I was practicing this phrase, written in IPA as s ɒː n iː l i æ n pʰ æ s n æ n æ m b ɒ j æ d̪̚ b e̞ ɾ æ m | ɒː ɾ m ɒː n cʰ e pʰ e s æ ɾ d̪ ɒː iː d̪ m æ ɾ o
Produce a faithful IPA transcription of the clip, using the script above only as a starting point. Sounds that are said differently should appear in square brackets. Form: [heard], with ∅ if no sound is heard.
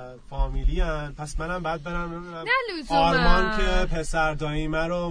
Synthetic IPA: [f] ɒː [m] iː l i æ n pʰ æ s [m] æ n æ m b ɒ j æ d̪̚ b e̞ ɾ æ m | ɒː ɾ m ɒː n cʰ e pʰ e s æ ɾ d̪ ɒː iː [∅] m æ ɾ o